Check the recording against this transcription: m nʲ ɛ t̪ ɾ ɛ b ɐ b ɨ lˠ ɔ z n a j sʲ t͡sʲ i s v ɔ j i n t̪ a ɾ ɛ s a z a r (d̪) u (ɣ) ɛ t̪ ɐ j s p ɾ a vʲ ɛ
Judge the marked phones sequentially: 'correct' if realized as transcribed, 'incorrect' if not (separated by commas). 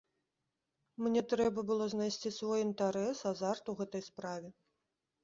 incorrect, correct